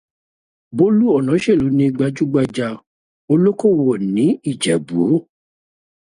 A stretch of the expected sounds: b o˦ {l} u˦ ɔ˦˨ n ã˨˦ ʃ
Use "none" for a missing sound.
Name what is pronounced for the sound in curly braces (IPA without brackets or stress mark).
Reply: l